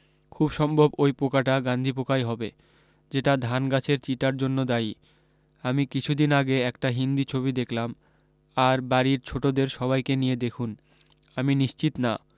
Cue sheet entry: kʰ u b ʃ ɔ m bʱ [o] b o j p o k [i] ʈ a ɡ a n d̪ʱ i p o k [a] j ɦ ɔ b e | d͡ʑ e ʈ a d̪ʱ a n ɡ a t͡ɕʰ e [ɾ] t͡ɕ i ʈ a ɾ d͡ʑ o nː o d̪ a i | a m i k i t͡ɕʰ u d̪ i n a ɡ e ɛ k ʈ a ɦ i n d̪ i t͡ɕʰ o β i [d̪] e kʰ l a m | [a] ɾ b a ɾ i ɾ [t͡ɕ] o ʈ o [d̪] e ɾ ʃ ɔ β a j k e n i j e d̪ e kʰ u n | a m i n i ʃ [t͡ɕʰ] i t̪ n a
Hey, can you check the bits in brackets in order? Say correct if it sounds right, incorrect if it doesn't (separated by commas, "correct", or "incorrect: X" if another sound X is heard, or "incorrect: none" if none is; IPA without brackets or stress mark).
correct, incorrect: a, correct, correct, correct, correct, incorrect: t͡ɕʰ, correct, incorrect: t͡ɕ